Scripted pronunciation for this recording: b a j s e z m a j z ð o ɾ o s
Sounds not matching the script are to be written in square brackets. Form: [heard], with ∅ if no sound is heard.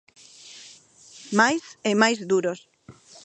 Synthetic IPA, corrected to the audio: [m] a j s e [∅] m a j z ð [u] ɾ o s